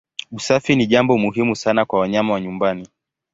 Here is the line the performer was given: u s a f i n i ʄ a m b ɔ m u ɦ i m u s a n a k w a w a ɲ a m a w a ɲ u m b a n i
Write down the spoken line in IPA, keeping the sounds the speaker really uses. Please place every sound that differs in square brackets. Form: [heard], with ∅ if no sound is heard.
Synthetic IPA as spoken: u s a f i n i ʄ a m b ɔ m u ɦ i m u s a n a k w a w a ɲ a m a w a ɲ u m b a n i